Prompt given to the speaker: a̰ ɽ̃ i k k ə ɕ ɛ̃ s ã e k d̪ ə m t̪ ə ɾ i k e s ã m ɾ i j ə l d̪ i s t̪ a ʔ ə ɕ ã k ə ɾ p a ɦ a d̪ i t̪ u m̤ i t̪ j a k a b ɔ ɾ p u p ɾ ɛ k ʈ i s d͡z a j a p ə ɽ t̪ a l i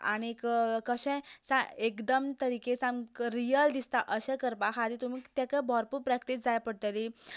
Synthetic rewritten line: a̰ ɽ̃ i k k ə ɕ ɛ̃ s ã e k d̪ ə m t̪ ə ɾ i k e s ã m ɾ i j ə l d̪ i s t̪ a ʔ ə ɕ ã k ə ɾ p a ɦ a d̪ i t̪ u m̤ i t̪ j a k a b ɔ ɾ p u p ɾ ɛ k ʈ i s d͡z a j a p ə ɽ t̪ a l i